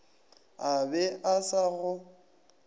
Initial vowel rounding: unrounded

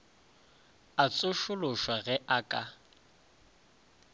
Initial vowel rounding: unrounded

